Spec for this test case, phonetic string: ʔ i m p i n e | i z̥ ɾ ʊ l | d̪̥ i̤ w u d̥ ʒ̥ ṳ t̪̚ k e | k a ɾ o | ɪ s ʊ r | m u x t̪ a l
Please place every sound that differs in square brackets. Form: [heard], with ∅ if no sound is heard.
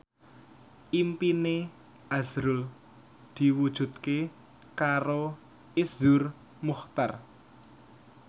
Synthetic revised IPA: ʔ i m p i n e | [a] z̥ ɾ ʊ l | d̪̥ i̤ w u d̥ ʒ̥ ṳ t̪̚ k e | k a ɾ o | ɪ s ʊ r | m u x t̪ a [r]